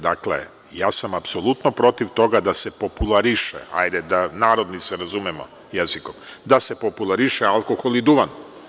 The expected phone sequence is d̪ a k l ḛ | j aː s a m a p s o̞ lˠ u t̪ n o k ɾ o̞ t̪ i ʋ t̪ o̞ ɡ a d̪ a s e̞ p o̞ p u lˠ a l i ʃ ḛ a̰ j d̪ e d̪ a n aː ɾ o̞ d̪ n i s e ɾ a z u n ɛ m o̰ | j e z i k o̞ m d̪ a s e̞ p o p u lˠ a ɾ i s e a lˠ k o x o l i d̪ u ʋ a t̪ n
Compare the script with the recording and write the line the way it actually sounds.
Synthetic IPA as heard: d̪ a k l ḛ | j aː s a m a p s o̞ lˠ u t̪ n o p ɾ o̞ t̪ i ʋ t̪ o̞ ɡ a d̪ a s e̞ p o̞ p u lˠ a ɾ i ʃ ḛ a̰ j d̪ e d̪ a n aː ɾ o̞ d̪ n i s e ɾ a z u m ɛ m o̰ | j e z i k o̞ m d̪ a s e̞ p o p u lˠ a ɾ i ʃ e a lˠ k o x o l i d̪ u ʋ a n

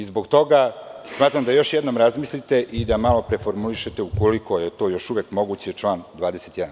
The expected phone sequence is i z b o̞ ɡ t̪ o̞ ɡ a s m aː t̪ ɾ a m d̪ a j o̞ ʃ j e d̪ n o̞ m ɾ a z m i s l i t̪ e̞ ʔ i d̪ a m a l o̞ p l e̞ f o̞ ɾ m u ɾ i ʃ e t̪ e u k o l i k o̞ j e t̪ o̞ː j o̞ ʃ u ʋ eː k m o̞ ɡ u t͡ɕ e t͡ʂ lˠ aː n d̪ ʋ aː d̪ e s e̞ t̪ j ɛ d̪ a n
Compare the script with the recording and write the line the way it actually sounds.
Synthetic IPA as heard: i z b o̞ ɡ t̪ o̞ ɡ a s m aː t̪ ɾ a m d̪ a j o̞ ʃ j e d̪ n o̞ m ɾ a z m i s l i t̪ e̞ ʔ i d̪ a m a l o̞ p ɾ e̞ f o̞ ɾ m u l i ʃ e t̪ e u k o l i k o̞ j e t̪ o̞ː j o̞ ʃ u ʋ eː k m o̞ ɡ u t͡ɕ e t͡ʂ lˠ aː n d̪ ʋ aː d̪ e s e̞ t̪ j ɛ d̪ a n

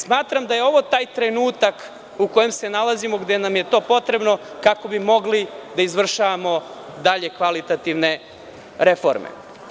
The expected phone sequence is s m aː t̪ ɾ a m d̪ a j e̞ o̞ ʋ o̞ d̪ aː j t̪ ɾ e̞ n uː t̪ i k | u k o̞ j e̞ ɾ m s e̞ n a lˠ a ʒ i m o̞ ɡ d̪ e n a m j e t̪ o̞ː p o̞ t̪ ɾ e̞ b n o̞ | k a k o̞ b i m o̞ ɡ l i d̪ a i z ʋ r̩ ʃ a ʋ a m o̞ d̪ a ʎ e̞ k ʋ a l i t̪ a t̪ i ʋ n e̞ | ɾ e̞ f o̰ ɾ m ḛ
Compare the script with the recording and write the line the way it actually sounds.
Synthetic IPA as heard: s m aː t̪ ɾ a m d̪ a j e̞ o̞ ʋ o̞ t̪ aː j t̪ ɾ e̞ n uː t̪ a k | u k o̞ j e̞ m s e̞ n a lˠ a z i m o̞ ɡ d̪ e n a m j e t̪ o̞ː p o̞ t̪ ɾ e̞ b n o̞ | k a k o̞ b i m o̞ ɡ l i d̪ a i z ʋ r̩ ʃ a ʋ a m o̞ d̪ a ʎ e̞ k ʋ a l i t̪ a t̪ i ʋ n e̞ | ɾ e̞ f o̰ ɾ m ḛ

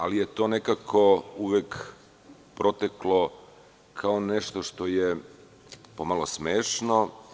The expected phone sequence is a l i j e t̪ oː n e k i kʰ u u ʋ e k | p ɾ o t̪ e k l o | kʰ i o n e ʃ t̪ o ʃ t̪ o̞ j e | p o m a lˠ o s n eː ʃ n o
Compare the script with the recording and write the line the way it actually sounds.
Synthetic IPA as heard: a l i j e t̪ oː n e k a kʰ o u ʋ e k | p ɾ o t̪ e k l o | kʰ a o n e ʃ t̪ o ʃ t̪ o̞ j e | p o m a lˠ o s m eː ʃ n o

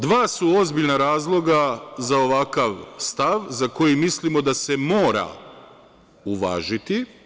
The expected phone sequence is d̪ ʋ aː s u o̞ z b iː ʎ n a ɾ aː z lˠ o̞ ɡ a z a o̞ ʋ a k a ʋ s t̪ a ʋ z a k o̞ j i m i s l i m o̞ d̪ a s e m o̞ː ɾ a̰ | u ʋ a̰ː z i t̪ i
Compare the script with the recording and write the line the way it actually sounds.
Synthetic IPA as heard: d̪ ʋ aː s u o̞ z b i ʎ n a ɾ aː z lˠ o̞ ɡ a z a o̞ ʋ a k a ʋ s t̪ a ʋ z a k o̞ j i m i s l i m o̞ d̪ a s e m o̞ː ɾ a̰ | u ʋ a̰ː ʒ i t̪ i

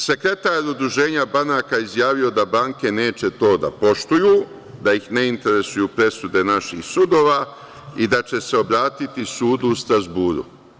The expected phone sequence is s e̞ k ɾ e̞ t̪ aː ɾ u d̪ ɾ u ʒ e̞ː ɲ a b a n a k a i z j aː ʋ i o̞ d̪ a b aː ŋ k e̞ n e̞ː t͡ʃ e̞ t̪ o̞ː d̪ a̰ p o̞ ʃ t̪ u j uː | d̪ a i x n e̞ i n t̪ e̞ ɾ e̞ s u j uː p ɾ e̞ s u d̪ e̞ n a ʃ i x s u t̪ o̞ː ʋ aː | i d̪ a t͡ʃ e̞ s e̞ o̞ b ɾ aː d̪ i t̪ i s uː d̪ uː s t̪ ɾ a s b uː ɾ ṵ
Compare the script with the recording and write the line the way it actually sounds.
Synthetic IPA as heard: s e̞ k ɾ e̞ t̪ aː ɾ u d̪ ɾ u ʒ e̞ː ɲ a b a n a k a i z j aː ʋ i o̞ d̪ a b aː ŋ k e̞ n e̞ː t͡ʃ e̞ t̪ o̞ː d̪ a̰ p o̞ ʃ t̪ u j uː | d̪ a i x n e̞ i n t̪ e̞ ɾ e̞ s u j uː p ɾ e̞ s u d̪ e̞ n a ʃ i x s u d̪ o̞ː ʋ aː | i d̪ a t͡ʃ e̞ s e̞ o̞ b ɾ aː t̪ i t̪ i s uː d̪ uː s t̪ ɾ a z b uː ɾ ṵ

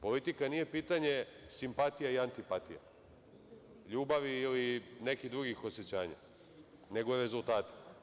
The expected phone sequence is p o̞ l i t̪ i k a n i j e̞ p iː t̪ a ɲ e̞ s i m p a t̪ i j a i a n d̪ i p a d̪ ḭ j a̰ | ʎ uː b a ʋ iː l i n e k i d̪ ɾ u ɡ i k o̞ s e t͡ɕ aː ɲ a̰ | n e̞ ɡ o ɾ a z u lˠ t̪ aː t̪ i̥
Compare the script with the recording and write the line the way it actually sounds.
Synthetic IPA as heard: p o̞ l i t̪ i k a n i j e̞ p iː t̪ a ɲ e̞ s i m p a t̪ i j a i a n t̪ i p a t̪ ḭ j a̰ | ʎ uː b a ʋ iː l i n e k i d̪ ɾ u ɡ i x o̞ s e t͡ɕ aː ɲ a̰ | n e̞ ɡ o ɾ e z u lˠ t̪ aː t̪ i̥

